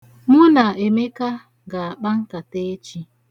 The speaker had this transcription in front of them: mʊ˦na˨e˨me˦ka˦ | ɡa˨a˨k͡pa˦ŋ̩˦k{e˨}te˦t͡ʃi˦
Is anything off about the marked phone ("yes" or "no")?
yes